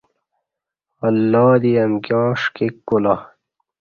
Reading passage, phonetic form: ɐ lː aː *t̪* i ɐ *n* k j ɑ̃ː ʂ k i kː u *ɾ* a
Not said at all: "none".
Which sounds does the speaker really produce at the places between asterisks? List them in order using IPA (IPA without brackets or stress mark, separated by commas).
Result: d̪, m, l